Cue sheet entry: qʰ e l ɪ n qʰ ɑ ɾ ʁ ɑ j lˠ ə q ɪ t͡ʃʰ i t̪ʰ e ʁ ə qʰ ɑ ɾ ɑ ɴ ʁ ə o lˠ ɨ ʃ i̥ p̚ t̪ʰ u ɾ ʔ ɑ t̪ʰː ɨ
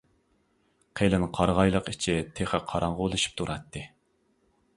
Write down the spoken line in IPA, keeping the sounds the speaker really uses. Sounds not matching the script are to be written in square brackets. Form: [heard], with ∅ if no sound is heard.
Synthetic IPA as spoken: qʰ e l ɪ n qʰ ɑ ɾ ʁ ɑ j lˠ ə q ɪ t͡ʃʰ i t̪ʰ e [χ] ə qʰ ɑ ɾ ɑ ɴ ʁ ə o lˠ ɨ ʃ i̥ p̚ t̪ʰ u ɾ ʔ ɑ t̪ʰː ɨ